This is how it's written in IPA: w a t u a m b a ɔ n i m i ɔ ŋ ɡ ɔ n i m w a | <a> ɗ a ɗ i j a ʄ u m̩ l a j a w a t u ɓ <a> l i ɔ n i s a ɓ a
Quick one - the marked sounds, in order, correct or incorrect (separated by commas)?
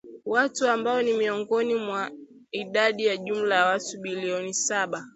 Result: incorrect, incorrect